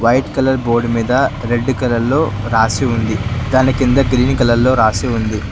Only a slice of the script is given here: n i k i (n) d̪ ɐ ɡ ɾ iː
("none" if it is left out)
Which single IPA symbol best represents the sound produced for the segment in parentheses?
n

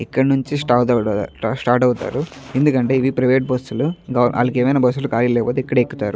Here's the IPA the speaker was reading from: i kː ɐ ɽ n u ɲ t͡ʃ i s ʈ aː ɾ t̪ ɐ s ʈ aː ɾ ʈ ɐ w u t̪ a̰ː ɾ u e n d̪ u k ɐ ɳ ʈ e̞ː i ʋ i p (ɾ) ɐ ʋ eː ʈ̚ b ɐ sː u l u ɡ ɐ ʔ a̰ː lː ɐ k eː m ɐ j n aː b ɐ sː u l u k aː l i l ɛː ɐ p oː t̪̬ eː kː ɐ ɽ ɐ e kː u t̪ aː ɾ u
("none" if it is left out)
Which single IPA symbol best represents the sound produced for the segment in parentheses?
ɾ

